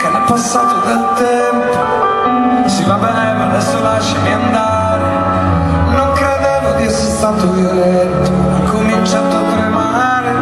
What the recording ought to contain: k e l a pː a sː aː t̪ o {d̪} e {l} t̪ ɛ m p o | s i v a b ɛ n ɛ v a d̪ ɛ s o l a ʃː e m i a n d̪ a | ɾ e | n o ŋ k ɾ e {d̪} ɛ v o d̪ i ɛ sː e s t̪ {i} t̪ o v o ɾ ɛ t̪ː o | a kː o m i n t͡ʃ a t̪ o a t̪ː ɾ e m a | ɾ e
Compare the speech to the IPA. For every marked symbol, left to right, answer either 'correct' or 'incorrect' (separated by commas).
correct, correct, correct, incorrect